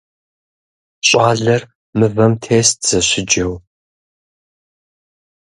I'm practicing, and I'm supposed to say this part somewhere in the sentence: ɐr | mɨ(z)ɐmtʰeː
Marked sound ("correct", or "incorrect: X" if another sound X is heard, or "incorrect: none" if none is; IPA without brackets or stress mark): incorrect: v